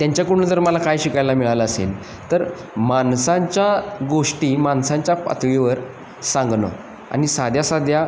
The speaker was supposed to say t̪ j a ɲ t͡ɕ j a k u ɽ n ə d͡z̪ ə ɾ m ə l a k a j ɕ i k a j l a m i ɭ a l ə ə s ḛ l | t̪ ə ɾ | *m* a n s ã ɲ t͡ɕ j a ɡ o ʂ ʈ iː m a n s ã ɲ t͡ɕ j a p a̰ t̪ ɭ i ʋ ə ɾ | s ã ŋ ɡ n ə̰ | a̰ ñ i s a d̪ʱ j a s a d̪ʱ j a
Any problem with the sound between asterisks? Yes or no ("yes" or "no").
no